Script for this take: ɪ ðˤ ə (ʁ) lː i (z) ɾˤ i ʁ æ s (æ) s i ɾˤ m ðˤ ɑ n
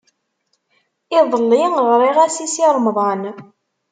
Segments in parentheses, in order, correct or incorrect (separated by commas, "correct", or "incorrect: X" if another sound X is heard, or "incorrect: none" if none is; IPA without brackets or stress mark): incorrect: none, incorrect: ʁ, incorrect: i